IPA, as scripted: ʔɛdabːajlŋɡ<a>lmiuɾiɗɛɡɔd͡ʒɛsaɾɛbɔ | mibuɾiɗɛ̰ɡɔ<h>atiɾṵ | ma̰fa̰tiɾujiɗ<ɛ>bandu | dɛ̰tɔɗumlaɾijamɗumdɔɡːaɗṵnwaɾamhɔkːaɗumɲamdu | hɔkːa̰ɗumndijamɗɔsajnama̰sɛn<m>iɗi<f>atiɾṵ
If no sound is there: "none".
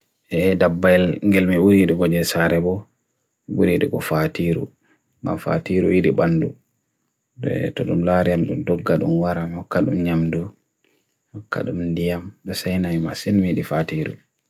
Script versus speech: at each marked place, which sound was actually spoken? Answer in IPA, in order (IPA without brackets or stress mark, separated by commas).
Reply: ɛ, f, i, m, f